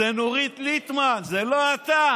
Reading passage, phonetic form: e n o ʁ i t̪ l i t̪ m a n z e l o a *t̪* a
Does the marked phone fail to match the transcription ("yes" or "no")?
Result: no